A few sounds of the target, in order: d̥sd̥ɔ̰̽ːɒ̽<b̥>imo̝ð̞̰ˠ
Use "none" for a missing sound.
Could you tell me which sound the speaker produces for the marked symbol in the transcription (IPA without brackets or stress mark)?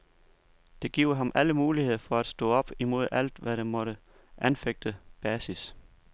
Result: b̥